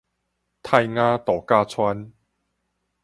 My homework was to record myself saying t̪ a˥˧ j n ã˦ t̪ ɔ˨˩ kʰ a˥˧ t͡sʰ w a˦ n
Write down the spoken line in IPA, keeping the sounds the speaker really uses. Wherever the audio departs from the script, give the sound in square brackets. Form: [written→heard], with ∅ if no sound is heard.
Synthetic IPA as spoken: [t̪→t̪ʰ] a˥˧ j [n→ŋ] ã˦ t̪ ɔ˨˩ [kʰ→k] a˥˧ t͡sʰ w a˦ n